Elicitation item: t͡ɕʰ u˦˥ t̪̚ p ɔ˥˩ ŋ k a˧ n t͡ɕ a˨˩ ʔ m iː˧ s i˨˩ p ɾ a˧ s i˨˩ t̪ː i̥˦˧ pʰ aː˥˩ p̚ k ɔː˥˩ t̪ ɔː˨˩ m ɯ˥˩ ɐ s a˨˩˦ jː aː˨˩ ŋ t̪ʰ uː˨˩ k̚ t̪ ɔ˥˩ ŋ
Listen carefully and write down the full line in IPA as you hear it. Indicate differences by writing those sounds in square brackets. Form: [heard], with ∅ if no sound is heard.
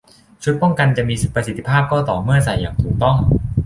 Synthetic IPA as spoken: t͡ɕʰ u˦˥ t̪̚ p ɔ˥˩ ŋ k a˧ n t͡ɕ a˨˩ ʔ m iː˧ s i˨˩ p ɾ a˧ s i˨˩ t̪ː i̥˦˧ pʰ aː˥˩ p̚ k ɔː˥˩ t̪ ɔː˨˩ m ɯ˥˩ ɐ s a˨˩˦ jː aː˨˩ ŋ t̪ʰ uː˨˩ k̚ t̪ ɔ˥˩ ŋ